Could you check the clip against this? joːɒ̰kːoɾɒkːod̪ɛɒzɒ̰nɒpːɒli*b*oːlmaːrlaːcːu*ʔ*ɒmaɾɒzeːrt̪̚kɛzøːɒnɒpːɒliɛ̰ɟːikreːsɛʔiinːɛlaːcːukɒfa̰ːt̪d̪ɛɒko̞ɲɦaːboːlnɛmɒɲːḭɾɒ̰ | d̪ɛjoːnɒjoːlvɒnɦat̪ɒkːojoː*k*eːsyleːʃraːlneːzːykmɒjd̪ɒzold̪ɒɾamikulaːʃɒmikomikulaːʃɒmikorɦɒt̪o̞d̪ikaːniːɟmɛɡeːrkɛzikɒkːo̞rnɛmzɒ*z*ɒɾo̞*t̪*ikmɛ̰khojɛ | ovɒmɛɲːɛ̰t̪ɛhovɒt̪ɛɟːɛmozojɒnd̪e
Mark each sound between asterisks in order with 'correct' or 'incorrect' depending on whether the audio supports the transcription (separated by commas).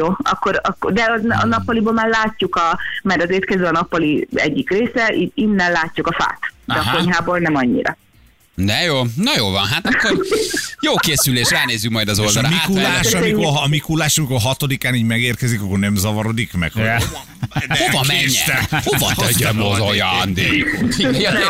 correct, incorrect, correct, incorrect, incorrect